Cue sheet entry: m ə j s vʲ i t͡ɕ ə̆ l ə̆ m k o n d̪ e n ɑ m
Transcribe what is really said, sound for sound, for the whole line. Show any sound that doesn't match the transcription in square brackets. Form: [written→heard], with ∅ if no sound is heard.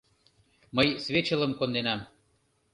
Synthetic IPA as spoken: m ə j s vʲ [i→e] t͡ɕ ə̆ l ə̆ m k o n d̪ e n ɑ m